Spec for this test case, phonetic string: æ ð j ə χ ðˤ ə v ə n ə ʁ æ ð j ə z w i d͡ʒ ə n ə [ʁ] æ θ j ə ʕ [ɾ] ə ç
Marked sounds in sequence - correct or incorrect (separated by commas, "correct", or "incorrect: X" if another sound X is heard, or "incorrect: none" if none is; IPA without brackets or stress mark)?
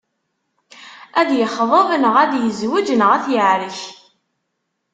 correct, correct